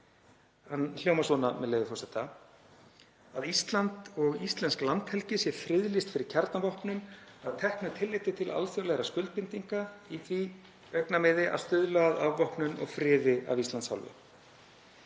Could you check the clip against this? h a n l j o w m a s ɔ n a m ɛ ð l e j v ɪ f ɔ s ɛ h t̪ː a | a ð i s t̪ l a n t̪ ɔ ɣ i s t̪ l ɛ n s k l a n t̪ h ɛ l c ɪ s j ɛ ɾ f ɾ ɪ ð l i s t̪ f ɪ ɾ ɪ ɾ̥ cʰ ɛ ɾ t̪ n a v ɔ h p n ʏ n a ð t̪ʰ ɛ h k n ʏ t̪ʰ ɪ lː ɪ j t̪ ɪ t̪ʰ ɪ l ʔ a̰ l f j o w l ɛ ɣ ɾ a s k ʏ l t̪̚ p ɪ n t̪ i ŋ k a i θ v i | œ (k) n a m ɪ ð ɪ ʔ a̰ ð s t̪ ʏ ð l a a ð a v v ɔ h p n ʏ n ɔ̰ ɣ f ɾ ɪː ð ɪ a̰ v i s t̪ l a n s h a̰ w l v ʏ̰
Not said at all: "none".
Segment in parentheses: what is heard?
k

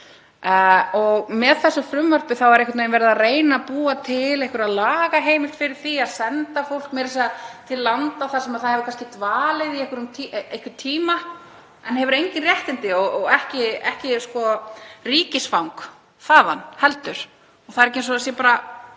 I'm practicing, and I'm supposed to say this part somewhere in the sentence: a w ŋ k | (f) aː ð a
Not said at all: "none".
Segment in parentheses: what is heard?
θ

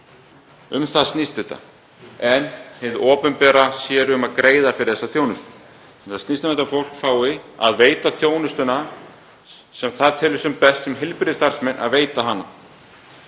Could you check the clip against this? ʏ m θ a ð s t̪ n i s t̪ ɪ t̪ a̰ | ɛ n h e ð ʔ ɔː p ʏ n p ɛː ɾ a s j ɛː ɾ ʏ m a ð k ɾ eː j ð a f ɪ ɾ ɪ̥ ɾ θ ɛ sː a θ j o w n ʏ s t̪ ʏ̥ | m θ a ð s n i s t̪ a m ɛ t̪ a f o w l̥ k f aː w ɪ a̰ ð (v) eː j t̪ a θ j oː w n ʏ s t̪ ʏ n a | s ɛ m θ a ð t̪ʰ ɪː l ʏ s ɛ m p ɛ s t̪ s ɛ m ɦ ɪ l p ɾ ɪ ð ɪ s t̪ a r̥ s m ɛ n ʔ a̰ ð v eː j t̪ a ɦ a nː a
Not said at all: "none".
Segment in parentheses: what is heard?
v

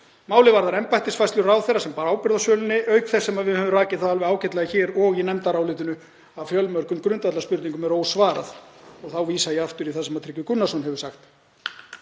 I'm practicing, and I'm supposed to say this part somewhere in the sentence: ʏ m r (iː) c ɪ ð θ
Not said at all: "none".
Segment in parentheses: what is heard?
aː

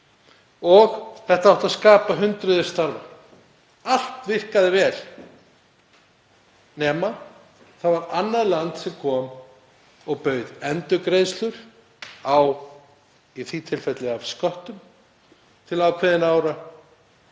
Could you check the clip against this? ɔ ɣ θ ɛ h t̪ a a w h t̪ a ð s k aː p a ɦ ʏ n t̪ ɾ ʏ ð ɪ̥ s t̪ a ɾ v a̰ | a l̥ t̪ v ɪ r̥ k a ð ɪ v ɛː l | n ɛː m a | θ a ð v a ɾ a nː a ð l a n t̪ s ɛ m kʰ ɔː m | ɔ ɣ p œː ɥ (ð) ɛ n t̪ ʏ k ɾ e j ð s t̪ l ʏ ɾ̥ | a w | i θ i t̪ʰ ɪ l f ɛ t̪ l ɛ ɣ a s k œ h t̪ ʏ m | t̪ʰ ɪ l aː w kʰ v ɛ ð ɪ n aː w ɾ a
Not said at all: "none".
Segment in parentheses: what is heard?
ð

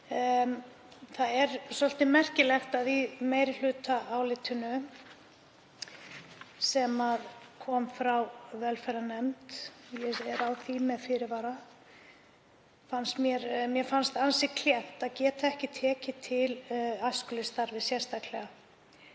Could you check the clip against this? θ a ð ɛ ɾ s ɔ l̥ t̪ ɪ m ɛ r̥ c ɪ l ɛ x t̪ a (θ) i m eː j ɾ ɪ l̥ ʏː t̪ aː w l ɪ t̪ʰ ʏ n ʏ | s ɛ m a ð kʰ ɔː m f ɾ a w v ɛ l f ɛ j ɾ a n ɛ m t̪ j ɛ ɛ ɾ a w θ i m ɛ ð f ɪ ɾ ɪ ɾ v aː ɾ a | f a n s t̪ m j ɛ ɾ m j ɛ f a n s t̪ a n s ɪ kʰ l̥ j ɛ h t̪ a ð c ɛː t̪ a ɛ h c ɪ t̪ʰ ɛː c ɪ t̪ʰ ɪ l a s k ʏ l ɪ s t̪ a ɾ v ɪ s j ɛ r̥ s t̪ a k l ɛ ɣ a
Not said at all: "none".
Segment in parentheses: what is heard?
ð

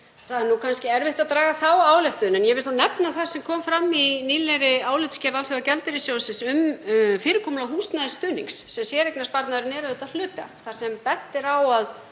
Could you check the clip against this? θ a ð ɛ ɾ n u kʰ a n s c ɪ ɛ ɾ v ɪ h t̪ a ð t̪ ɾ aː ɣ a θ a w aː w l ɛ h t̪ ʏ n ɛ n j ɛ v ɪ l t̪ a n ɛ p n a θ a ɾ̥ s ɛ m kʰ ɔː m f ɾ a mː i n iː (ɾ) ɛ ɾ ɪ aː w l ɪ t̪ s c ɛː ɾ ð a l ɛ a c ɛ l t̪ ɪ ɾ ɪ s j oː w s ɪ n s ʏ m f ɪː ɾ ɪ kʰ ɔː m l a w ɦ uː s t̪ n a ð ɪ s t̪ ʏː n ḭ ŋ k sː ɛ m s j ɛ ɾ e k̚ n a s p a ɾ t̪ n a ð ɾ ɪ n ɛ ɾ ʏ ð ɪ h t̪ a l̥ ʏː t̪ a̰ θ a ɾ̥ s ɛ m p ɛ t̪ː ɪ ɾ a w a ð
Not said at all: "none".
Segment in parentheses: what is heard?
l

